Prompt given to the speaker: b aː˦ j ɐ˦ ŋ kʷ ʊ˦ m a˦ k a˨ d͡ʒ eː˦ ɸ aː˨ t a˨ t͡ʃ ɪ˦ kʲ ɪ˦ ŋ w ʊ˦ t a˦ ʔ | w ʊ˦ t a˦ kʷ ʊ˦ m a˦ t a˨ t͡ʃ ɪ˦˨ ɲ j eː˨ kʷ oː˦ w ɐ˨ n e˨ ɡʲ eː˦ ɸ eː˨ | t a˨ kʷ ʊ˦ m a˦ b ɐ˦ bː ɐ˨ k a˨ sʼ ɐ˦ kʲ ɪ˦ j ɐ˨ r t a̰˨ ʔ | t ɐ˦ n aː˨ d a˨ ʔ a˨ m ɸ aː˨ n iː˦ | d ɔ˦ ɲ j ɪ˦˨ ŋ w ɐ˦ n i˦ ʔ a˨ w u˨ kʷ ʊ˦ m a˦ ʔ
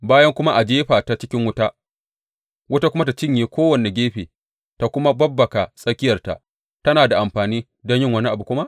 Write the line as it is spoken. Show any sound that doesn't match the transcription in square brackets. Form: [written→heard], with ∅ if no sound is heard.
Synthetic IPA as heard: b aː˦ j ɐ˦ ŋ kʷ ʊ˦ m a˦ [k→ʔ] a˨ d͡ʒ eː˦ ɸ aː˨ t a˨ t͡ʃ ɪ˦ kʲ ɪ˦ ŋ w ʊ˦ t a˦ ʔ | w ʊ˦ t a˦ kʷ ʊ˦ m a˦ t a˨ t͡ʃ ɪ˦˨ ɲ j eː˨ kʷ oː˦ w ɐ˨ n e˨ ɡʲ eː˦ ɸ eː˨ | t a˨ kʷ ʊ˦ m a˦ b ɐ˦ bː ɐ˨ k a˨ sʼ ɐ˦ kʲ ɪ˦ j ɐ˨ r t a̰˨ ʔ | t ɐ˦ n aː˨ d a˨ ʔ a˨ m ɸ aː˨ n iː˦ | d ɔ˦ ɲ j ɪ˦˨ ŋ w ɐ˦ n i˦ ʔ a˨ [w→b] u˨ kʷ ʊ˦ m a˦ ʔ